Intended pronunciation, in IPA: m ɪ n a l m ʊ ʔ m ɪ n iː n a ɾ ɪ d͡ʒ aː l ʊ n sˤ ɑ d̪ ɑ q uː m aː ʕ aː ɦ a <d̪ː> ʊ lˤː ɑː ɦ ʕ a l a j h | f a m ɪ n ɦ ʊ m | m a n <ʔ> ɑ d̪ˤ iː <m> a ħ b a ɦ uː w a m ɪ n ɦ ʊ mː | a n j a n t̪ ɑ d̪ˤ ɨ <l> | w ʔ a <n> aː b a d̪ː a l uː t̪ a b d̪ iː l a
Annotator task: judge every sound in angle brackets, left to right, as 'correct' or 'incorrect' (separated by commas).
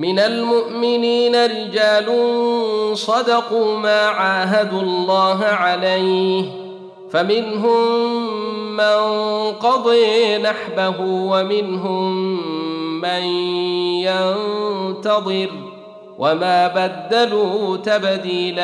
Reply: incorrect, incorrect, incorrect, incorrect, incorrect